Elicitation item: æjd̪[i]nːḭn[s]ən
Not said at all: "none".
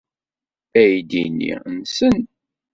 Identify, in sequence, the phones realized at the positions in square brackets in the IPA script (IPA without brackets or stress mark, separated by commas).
i, s